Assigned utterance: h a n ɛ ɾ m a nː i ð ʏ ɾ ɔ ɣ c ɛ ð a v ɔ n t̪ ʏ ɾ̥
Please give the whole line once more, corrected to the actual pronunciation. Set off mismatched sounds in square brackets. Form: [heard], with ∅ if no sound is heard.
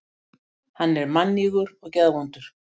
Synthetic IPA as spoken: h a [nː] ɛ ɾ m a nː i [ɣ] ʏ ɾ ɔ ɣ c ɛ ð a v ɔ n t̪ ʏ ɾ̥